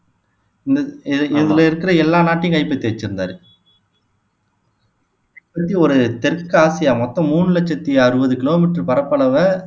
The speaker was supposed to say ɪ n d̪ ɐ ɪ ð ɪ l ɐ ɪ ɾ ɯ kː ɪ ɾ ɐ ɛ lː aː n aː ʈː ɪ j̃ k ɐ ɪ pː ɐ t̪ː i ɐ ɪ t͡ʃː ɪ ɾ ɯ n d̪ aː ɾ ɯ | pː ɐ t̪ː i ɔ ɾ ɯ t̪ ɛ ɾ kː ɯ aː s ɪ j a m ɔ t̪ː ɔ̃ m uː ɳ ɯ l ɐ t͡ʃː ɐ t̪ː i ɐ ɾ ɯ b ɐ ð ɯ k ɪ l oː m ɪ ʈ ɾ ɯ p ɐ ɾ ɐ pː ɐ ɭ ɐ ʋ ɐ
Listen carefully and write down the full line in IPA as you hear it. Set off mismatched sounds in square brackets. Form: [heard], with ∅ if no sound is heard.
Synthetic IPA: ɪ n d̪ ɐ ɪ ð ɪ l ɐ ɪ ɾ ɯ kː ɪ ɾ ɐ ɛ lː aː n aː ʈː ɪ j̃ k ɐ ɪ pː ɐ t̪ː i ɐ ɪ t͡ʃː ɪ ɾ ɯ n d̪ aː ɾ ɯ | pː ɐ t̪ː i ɔ ɾ ɯ t̪ ɛ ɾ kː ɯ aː s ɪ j a m ɔ t̪ː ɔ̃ m uː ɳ ɯ l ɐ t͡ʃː ɐ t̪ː i ɐ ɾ ɯ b ɐ ð ɯ k ɪ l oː m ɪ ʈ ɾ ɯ p ɐ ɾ ɐ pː ɐ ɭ ɐ ʋ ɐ